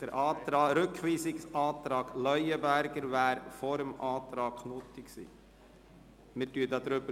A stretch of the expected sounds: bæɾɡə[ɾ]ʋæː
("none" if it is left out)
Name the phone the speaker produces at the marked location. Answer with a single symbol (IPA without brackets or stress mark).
ɾ